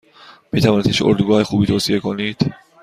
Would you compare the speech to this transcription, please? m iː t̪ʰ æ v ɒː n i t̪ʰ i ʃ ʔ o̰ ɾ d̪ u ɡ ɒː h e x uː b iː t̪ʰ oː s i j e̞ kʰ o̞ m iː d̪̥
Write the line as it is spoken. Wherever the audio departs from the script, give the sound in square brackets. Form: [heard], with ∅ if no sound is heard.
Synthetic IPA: m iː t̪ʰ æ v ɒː n i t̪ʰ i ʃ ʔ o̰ ɾ d̪ u ɡ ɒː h e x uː b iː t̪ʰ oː s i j e̞ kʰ o̞ [n] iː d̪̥